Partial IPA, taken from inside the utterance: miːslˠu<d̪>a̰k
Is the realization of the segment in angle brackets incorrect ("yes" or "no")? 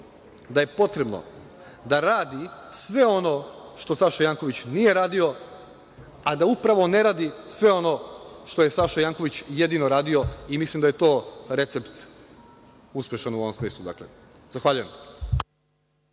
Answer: no